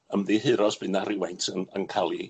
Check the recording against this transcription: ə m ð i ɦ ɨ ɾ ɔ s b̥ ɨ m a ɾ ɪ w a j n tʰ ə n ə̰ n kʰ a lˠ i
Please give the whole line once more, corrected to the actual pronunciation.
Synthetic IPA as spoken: ə m ð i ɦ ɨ ɾ ɔ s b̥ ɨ n a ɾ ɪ w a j n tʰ ə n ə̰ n kʰ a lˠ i

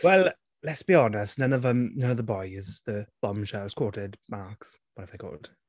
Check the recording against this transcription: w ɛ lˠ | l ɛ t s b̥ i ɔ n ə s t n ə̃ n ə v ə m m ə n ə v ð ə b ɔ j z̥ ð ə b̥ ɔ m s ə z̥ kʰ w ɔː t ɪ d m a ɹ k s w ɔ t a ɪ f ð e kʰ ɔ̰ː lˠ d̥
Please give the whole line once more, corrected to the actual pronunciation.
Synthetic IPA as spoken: w ɛ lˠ | l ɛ t s b̥ i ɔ n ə s t n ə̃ n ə v ə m n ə n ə v ð ə b ɔ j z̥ ð ə b̥ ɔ m ʃ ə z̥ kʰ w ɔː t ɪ d m a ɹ k s w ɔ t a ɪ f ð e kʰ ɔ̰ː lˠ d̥

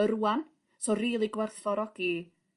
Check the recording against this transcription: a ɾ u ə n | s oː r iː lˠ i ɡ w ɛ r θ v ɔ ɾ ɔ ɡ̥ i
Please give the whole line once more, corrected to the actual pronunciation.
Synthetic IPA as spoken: ə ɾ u a n | s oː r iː lˠ i ɡ w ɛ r θ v ɔ ɾ ɔ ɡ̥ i

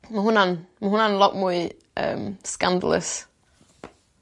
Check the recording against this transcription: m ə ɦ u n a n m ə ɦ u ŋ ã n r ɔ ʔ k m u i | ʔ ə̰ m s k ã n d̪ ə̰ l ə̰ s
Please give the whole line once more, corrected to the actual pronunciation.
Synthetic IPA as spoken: m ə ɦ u n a n m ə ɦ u n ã n l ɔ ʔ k m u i | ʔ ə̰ m s k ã n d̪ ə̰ l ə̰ s

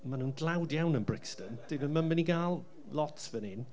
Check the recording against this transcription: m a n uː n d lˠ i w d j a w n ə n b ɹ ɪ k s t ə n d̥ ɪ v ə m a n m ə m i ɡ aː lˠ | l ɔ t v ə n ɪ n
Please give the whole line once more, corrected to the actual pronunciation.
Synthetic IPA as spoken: m a n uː n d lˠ a w d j a w n ə n b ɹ ɪ k s t ə n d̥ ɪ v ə m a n m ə n i ɡ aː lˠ | l ɔ t v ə n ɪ n

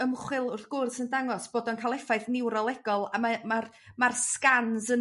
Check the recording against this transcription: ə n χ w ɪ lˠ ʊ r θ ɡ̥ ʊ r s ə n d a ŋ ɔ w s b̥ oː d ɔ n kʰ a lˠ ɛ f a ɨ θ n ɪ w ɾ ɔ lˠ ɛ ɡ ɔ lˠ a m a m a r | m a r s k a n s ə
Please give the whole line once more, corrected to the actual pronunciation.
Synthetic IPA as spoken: ə m χ w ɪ lˠ ʊ r θ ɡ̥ ʊ r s ə n d a ŋ ɔ s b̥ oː d ɔ n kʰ a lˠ ɛ f a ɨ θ n ɪ w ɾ ɔ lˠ ɛ ɡ ɔ lˠ a m a m a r | m a r s k a n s ə

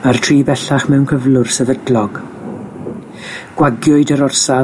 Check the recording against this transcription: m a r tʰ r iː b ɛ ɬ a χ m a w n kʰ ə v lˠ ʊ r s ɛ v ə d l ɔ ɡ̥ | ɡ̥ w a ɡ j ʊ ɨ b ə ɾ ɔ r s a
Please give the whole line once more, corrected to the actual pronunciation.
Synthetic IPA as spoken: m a r tʰ r iː b ɛ ɬ a χ m ɛ w n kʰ ə v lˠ ʊ r s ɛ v ə d l ɔ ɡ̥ | ɡ̥ w a ɡ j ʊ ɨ d ə ɾ ɔ r s a

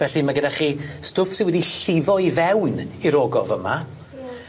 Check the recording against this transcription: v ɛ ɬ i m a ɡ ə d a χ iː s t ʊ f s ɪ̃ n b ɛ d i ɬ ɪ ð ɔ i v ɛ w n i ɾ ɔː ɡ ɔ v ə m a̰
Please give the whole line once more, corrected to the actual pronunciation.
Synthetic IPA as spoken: v ɛ ɬ i m a ɡ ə d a χ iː s t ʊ f s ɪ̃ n w ɛ d i ɬ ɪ v ɔ i v ɛ w n i ɾ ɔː ɡ ɔ v ə m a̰

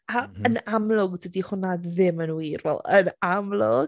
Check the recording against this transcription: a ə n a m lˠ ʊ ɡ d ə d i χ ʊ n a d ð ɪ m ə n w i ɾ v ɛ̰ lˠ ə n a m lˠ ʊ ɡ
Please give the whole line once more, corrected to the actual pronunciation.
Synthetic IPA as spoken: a ə n a m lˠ ʊ ɡ d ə d i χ ʊ n a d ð ɪ m ə n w i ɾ v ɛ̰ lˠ ə n a m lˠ ʊ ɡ

